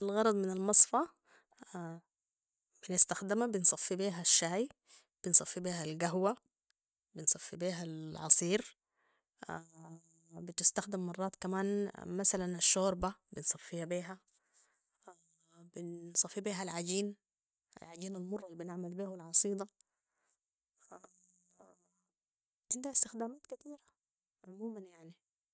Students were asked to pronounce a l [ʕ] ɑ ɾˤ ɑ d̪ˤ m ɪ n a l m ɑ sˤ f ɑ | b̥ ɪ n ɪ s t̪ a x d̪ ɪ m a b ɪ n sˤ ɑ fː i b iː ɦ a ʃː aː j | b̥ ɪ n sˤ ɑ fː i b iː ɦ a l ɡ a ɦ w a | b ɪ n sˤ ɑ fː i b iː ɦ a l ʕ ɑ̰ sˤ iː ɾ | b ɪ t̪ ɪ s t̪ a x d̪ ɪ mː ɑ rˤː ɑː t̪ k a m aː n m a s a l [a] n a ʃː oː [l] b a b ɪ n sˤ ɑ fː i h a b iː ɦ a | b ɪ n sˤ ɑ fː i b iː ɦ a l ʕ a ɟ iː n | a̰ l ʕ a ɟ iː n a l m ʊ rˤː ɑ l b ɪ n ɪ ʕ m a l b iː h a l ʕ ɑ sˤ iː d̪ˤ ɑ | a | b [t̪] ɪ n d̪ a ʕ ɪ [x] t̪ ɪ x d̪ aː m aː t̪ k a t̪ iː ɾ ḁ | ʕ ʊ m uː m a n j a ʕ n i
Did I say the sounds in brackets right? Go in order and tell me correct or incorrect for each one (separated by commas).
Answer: incorrect, correct, incorrect, correct, incorrect